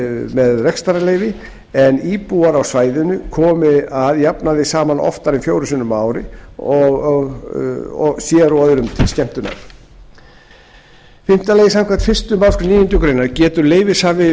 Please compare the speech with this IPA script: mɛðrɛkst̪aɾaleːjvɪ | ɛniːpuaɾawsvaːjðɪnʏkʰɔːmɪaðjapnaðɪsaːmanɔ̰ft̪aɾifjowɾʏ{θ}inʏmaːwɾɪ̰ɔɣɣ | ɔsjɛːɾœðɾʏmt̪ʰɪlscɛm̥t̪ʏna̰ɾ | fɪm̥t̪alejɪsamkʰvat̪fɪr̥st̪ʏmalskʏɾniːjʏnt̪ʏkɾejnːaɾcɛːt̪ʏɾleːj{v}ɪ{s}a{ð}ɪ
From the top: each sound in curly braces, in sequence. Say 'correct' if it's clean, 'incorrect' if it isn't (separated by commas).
incorrect, correct, correct, incorrect